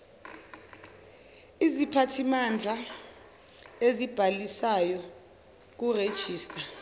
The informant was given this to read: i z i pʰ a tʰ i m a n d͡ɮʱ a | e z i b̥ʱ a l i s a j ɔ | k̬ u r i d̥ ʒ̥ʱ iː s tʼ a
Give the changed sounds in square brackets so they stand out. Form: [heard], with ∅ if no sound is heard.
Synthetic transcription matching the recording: i z i pʰ a tʰ i m a n d͡ɮʱ a | e z i b̥ʱ a l i s a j ɔ | k̬ u r [e] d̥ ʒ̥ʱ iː s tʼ a